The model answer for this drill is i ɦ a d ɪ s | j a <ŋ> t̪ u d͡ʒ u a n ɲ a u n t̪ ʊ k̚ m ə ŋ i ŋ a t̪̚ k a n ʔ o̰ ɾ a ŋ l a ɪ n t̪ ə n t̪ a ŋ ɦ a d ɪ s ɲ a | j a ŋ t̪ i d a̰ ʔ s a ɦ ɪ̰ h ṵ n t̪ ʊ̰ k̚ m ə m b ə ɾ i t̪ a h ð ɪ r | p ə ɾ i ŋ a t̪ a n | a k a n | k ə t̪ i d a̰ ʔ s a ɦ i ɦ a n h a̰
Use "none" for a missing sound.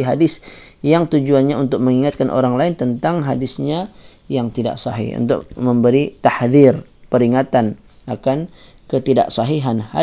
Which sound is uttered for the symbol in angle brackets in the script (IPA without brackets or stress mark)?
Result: ŋ